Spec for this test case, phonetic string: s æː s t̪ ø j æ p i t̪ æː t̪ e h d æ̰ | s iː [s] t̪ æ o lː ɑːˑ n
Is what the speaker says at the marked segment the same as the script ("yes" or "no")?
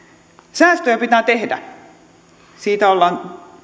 no